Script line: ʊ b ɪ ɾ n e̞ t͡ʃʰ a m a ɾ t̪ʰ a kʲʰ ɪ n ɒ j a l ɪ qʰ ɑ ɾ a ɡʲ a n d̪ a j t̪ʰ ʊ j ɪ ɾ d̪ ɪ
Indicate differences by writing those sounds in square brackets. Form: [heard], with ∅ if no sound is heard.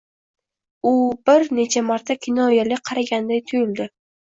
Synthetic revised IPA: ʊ b ɪ ɾ n e̞ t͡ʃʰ a m a ɾ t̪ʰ a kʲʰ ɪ n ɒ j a l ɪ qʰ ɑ ɾ a ɡʲ a n d̪ a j t̪ʰ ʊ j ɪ [l] d̪ ɪ